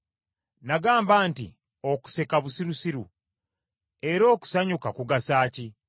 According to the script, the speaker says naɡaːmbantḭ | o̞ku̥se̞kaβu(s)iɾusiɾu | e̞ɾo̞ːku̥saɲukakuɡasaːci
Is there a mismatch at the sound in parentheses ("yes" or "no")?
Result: no